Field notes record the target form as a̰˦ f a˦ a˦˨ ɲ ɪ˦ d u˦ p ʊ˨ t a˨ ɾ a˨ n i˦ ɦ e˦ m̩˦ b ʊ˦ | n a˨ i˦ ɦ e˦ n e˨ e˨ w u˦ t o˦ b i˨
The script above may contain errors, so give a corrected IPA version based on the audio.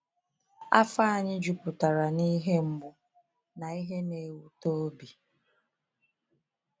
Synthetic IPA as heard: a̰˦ f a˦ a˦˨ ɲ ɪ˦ d͡ʒ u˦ p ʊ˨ t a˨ ɾ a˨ n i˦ ɦ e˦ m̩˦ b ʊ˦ | n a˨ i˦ ɦ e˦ n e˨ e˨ w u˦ t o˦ b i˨

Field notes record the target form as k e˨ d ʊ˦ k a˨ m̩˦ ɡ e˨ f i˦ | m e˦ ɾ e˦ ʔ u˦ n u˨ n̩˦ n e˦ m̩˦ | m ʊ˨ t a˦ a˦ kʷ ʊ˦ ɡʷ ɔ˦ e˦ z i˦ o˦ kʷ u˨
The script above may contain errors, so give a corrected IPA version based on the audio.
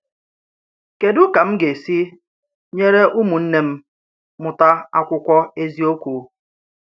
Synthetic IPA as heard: k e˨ d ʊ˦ k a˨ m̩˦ ɡ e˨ s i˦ | ɲ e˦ ɾ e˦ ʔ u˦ m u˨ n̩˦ n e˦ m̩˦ | m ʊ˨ t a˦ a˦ kʷ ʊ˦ kʷ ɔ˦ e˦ z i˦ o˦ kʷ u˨

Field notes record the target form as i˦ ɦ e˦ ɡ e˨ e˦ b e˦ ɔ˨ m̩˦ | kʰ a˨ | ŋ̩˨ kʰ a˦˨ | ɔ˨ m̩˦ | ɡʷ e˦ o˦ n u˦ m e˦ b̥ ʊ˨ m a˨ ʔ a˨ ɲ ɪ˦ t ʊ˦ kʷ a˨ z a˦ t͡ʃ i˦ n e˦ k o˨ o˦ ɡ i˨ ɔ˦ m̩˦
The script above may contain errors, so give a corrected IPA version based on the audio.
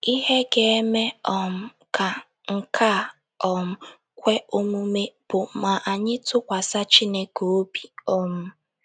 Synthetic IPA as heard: i˦ ɦ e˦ ɡ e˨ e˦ m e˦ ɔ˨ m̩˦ | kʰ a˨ | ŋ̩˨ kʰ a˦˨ | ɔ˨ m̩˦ | kʷ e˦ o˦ m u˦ m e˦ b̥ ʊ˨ m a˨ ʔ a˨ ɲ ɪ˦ t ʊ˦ kʷ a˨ s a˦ t͡ʃ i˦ n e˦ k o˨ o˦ b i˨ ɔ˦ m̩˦

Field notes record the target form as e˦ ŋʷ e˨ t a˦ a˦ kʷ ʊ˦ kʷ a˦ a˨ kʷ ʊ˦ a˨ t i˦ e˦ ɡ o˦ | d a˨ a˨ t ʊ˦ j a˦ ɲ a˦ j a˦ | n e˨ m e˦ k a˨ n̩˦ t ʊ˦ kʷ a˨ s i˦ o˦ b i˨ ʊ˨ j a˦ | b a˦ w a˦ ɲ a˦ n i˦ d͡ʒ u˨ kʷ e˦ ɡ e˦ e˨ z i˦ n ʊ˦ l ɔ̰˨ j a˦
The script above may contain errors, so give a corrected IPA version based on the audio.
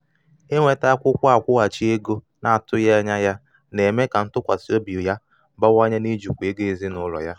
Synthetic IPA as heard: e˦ ŋʷ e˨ t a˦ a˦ kʷ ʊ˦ kʷ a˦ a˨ kʷ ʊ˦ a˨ t͡ʃ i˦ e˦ ɡ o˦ | n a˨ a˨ t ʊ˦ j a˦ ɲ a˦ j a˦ | n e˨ m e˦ k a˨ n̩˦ t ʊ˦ kʷ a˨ s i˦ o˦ b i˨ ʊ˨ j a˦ | b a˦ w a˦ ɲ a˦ n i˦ d͡ʒ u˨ kʷ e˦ ɡ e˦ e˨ z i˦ n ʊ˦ l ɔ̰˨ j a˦

